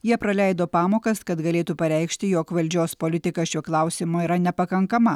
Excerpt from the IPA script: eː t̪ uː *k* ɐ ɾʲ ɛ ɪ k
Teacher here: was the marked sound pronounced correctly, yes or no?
no